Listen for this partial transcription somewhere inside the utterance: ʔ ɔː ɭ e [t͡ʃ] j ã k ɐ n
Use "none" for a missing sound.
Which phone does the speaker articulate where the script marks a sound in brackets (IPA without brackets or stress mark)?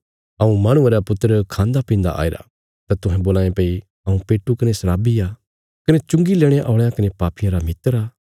none